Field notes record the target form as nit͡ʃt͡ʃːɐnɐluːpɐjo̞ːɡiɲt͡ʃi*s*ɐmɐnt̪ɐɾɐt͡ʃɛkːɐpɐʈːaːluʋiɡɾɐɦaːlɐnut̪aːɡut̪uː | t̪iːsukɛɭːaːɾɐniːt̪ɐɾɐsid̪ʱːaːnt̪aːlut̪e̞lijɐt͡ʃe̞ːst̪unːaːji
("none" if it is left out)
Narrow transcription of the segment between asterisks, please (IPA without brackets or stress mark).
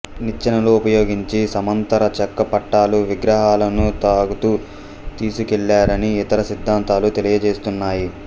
s